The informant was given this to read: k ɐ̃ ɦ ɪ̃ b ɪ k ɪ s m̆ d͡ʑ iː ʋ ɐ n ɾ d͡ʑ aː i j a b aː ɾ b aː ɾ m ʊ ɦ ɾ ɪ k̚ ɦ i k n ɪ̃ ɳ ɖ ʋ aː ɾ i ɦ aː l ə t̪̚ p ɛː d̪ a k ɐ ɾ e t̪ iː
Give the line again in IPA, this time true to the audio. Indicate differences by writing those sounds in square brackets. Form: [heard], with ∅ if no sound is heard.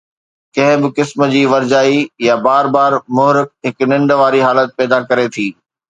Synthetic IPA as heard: k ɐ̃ ɦ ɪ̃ b ɪ k ɪ s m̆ d͡ʑ iː ʋ ɐ [∅] ɾ d͡ʑ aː i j a b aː ɾ b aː ɾ m ʊ ɦ ɾ ɪ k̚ ɦ [ɪ] k n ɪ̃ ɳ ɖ ʋ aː ɾ i ɦ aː l ə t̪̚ p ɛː d̪ a k ɐ ɾ e [t̪ʰ] iː